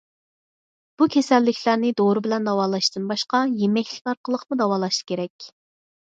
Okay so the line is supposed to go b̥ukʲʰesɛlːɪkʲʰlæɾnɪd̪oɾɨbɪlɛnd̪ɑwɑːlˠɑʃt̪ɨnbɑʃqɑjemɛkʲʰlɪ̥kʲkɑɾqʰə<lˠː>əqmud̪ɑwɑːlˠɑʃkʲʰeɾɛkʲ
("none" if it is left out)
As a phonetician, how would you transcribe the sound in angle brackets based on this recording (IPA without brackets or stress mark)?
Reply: lˠ